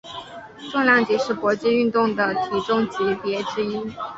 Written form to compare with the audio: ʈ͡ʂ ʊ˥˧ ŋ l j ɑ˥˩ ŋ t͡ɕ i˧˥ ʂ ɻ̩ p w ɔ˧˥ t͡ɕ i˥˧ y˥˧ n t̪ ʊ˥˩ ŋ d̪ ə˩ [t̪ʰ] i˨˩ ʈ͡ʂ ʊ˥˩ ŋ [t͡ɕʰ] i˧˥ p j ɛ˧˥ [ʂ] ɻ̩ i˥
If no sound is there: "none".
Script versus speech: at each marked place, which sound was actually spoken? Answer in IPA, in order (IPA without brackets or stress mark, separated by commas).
t̪ʰ, t͡ɕ, ʈ͡ʂ